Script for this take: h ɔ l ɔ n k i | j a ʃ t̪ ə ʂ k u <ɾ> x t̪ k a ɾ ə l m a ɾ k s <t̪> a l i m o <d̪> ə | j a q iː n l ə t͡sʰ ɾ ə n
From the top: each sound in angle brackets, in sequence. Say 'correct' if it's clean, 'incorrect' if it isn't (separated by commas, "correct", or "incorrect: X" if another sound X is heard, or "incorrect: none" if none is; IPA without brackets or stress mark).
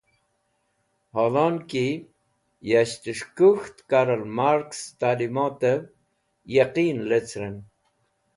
incorrect: none, correct, incorrect: t̪